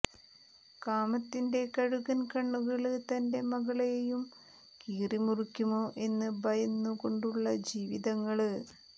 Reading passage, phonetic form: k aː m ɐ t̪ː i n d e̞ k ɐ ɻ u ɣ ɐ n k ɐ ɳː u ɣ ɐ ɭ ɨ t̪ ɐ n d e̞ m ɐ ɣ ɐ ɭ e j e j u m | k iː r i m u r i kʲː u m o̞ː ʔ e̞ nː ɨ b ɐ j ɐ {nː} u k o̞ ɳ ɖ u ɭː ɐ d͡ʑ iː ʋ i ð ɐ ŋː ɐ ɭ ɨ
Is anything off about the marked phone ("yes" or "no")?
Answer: no